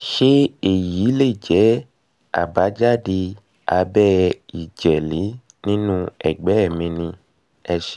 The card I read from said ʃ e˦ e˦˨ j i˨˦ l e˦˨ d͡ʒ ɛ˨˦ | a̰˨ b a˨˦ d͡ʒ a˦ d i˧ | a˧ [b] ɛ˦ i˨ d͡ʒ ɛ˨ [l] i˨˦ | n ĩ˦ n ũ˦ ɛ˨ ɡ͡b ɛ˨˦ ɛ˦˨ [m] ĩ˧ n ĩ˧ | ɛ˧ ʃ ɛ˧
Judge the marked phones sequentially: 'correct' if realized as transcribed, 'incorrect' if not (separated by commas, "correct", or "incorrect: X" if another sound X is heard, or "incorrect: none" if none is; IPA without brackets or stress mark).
correct, correct, correct